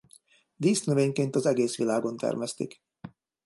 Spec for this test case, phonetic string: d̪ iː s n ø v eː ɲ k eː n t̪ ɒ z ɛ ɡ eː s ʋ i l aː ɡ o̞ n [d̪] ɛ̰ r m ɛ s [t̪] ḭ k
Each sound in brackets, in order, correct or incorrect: incorrect: t̪, correct

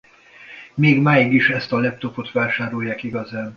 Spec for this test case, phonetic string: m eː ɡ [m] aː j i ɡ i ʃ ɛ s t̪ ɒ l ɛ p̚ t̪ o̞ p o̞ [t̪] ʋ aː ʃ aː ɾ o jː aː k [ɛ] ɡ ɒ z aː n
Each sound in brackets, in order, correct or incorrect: correct, correct, incorrect: i

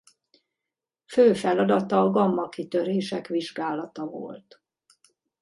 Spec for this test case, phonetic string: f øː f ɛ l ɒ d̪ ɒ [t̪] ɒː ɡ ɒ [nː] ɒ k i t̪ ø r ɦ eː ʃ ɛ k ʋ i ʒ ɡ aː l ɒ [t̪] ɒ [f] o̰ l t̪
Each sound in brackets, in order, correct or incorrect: correct, incorrect: mː, correct, incorrect: v

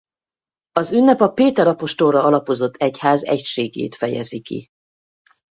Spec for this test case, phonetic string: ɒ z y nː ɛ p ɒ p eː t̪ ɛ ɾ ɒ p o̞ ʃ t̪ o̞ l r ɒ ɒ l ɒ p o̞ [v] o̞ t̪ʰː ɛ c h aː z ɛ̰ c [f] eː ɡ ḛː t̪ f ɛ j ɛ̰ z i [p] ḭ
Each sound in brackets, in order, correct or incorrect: incorrect: z, incorrect: ʃ, incorrect: k

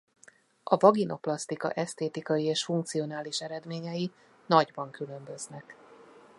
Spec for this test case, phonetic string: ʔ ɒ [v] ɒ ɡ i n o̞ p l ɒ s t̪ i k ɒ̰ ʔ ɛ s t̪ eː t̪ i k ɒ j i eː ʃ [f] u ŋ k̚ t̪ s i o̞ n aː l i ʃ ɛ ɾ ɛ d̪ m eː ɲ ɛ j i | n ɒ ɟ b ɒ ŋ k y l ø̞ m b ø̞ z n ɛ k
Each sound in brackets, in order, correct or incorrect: correct, correct

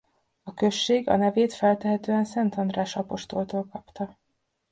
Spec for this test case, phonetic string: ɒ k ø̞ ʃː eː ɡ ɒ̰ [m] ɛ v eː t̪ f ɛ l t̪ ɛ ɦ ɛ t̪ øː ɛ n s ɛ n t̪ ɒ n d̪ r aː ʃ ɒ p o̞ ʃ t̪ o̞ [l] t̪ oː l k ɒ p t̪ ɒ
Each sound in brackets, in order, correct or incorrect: incorrect: n, correct

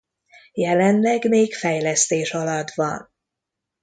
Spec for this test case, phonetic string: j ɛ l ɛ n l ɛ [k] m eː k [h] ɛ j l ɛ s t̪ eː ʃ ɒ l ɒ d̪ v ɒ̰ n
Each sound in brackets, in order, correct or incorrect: incorrect: ɡ, incorrect: f

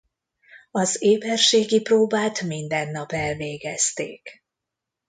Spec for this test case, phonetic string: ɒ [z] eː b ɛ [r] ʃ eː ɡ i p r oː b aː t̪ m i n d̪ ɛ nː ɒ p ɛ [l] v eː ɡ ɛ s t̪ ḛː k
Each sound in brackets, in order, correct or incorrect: correct, correct, correct

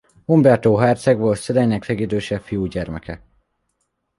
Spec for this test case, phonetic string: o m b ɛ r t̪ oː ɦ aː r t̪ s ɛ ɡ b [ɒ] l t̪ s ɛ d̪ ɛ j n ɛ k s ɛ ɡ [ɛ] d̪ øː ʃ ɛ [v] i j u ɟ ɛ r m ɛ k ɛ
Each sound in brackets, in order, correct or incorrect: incorrect: o, incorrect: i, incorrect: f

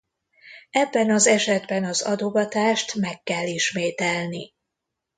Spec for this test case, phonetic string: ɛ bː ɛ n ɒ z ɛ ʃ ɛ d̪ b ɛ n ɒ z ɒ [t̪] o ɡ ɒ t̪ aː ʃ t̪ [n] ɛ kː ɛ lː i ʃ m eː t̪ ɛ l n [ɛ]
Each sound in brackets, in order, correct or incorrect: incorrect: d̪, incorrect: m, incorrect: i

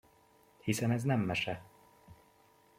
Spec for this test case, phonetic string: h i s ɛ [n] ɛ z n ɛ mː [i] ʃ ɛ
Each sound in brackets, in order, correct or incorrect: correct, incorrect: ɛ

